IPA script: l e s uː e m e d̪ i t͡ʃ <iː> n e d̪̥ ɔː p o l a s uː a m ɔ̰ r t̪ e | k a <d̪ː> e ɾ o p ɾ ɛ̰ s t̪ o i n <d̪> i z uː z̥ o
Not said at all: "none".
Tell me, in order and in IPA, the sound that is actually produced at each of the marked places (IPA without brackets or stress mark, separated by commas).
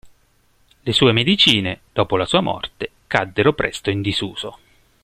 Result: iː, d̪ː, d̪